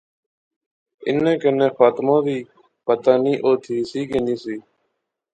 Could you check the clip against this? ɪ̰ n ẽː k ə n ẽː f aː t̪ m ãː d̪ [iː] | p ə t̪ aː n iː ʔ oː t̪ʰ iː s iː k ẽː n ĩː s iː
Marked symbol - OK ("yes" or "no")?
yes